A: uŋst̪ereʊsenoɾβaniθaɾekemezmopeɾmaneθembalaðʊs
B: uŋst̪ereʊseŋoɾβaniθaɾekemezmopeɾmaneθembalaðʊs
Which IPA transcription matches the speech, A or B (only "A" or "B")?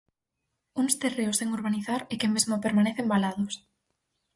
B